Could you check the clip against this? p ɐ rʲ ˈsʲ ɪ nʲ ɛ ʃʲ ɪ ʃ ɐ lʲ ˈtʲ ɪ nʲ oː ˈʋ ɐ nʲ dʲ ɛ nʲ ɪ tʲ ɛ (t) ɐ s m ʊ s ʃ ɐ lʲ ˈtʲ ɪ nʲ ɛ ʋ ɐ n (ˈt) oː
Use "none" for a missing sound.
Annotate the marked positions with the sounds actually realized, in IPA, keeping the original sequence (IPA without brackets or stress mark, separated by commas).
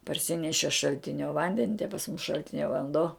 p, d